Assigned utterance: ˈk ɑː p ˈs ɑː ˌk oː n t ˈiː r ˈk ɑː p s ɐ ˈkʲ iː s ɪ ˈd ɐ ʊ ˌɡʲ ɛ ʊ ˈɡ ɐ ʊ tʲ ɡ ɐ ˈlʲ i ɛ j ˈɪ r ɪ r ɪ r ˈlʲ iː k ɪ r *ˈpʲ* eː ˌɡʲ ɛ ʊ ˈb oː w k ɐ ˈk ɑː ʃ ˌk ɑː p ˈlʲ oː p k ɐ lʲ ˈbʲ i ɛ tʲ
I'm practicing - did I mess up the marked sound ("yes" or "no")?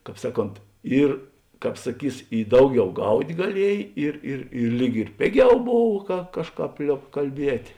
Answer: no